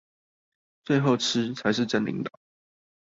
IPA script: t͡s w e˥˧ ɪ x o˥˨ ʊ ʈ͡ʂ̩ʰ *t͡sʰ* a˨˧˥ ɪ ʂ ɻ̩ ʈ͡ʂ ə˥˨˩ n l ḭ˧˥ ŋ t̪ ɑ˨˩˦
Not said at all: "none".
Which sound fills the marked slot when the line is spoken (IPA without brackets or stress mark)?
t͡sʰ